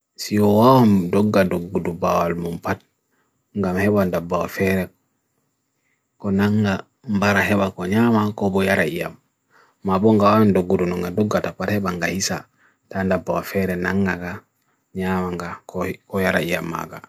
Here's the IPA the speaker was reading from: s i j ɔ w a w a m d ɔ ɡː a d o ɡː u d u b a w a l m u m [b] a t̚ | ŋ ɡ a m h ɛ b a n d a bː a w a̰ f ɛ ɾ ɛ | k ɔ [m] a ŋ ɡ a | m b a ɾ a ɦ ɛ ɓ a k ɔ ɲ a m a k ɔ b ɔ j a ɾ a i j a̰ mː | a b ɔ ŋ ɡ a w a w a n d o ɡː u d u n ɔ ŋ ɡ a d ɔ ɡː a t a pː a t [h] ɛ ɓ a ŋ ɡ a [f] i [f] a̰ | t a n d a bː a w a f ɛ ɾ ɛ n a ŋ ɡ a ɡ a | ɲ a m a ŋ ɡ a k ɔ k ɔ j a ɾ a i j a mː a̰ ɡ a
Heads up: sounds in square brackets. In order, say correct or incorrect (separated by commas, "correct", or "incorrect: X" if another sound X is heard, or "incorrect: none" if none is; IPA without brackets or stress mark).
incorrect: p, incorrect: n, correct, incorrect: h, incorrect: s